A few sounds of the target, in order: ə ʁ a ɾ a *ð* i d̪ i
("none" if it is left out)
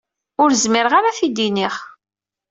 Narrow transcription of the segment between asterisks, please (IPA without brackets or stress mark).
θ